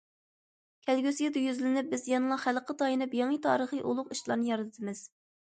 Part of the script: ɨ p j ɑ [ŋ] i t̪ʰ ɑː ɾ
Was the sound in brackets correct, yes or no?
yes